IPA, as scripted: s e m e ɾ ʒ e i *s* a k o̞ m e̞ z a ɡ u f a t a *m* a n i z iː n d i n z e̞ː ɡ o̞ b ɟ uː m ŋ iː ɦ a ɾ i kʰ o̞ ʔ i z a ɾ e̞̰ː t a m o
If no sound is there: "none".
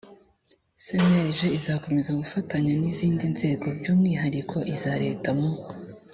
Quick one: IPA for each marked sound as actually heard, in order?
z, ɲ

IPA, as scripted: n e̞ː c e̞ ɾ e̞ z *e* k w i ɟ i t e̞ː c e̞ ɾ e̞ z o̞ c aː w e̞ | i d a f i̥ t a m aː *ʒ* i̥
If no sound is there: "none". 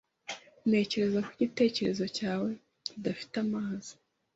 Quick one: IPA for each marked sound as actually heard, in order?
a, z

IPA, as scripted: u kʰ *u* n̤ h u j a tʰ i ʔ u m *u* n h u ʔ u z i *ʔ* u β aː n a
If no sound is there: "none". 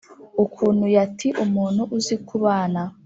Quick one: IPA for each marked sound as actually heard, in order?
uː, uː, k

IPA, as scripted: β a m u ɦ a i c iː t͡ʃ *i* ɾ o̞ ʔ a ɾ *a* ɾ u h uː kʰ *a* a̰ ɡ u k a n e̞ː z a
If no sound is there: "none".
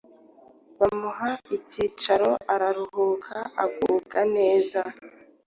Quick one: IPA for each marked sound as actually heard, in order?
a, a, a

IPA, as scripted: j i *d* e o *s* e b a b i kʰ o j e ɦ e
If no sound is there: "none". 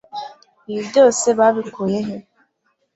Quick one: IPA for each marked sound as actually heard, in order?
d, s

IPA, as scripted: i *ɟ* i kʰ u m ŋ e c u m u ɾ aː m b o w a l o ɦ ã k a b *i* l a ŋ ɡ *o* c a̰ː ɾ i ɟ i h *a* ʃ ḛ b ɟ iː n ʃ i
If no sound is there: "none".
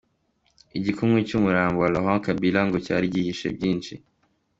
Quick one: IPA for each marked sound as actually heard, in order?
ɟ, i, o, i

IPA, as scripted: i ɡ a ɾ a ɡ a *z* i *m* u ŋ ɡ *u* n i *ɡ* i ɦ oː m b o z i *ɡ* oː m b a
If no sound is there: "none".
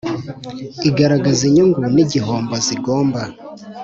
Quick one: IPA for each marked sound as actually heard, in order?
z, ɲ, u, ɟ, ɡ

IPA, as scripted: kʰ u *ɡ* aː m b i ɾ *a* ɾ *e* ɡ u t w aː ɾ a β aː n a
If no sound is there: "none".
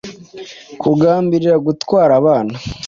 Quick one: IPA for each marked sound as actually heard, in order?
ɡ, i, a

